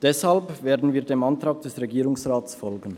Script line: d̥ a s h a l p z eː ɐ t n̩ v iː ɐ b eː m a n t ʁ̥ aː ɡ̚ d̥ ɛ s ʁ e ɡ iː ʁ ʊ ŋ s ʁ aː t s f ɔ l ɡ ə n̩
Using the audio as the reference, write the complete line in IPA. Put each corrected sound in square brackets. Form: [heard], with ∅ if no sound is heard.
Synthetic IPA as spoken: d̥ [ɛ] s h a l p [v] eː ɐ [d] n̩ v iː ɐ [d] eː m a n t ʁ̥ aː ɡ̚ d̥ ɛ s ʁ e ɡ iː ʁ ʊ ŋ s ʁ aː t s f ɔ l ɡ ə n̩